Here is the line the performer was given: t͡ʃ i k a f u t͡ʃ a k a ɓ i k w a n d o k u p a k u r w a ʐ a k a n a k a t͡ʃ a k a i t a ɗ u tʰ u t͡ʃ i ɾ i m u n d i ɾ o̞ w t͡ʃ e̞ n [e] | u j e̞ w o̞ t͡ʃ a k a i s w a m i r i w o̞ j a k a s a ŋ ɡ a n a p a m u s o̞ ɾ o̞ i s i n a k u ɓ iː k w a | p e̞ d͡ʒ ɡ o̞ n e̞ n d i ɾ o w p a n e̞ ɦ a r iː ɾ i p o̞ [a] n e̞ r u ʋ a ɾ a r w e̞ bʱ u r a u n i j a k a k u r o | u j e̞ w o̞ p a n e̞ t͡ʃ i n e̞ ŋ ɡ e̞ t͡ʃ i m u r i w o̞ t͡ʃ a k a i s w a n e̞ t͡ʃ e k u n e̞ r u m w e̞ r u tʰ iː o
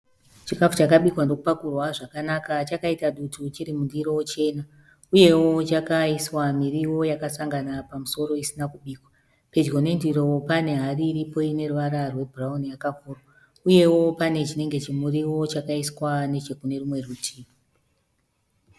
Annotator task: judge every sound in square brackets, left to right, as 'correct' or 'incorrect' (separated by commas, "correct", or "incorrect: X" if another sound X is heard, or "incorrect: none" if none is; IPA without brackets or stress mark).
incorrect: a, incorrect: i